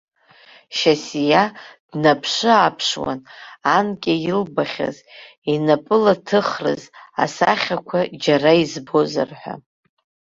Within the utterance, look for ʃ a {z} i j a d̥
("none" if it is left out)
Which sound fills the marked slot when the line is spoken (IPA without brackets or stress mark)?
s